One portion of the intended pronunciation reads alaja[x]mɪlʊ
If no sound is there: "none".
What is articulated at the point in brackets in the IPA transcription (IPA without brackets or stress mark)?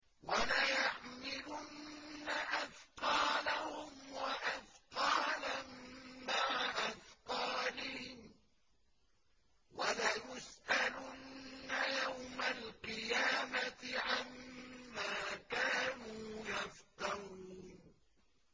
ħ